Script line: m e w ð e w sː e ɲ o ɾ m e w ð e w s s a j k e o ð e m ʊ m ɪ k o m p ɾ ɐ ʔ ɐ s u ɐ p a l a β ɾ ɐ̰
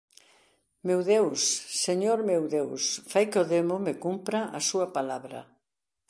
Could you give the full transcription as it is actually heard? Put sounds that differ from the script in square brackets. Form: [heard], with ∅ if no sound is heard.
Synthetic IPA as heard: m e w ð e w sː e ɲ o ɾ m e w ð e w s [f] a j k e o ð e m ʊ m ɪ k [u] m p ɾ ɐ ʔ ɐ s u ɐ p a l a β ɾ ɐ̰